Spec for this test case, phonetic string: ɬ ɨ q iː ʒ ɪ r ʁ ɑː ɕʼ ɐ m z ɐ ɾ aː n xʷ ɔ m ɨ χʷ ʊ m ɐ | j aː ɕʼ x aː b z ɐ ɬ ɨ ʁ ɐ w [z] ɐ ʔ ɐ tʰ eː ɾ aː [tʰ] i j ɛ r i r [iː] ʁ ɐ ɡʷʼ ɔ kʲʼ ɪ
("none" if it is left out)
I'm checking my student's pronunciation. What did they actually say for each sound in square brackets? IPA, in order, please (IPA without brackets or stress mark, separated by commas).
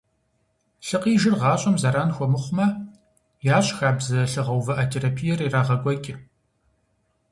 v, pʰ, aː